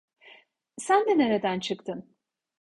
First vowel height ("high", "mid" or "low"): low